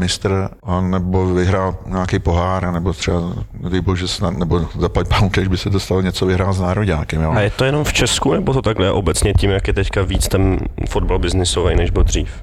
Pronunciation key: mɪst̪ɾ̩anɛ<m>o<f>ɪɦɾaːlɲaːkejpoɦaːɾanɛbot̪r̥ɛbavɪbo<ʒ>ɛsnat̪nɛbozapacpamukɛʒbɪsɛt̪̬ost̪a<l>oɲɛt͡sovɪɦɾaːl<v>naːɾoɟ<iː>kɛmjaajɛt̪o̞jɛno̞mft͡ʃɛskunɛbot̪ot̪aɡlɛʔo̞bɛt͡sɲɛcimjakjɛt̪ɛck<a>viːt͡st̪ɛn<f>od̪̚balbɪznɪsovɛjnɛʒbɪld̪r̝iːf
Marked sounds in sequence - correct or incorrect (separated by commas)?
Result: incorrect, incorrect, correct, correct, incorrect, incorrect, correct, correct